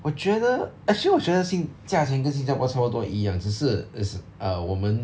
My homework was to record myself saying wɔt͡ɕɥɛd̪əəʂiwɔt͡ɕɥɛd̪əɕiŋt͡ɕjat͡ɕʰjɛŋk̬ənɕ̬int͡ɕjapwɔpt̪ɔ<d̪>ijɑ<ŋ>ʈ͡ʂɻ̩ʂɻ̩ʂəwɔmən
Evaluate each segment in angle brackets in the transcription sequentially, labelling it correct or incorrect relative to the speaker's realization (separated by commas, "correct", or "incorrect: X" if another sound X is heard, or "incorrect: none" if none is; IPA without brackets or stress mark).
incorrect: none, correct